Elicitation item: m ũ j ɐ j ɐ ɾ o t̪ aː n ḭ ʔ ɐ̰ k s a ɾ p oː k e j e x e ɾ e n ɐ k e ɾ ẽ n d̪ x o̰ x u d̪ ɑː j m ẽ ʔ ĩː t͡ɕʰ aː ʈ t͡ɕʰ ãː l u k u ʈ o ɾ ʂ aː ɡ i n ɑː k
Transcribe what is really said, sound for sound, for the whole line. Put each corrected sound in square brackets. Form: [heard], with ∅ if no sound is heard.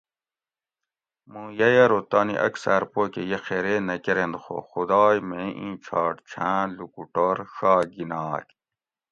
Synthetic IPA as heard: m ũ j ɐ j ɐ ɾ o t̪ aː n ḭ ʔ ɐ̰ k s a ɾ p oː k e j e x e ɾ e n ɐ k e ɾ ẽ n d̪ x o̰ x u d̪ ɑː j m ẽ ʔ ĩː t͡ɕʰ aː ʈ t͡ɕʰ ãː l u k u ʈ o ɾ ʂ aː ɡ i n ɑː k